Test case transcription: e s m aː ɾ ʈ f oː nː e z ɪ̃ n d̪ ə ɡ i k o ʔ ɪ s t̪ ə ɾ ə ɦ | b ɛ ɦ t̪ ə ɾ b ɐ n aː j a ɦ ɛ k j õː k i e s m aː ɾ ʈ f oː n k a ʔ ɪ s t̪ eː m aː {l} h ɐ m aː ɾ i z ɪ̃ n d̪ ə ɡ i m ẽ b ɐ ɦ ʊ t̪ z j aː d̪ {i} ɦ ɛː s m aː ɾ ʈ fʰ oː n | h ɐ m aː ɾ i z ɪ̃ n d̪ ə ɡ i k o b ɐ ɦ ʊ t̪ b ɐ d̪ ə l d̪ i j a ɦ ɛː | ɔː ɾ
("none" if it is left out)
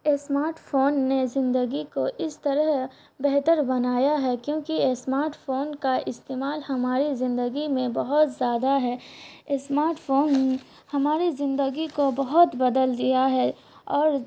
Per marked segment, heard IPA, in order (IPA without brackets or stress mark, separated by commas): l, a